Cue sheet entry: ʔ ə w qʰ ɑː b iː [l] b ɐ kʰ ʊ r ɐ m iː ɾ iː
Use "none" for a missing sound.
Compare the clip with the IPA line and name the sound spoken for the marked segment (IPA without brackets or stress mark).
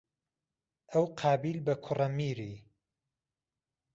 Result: l